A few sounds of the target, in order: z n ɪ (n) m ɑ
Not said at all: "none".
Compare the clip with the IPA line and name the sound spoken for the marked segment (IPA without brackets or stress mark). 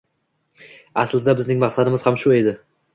ŋ